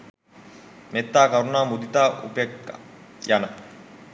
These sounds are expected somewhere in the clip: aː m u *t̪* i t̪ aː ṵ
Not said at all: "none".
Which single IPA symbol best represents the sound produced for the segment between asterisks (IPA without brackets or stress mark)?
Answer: d̪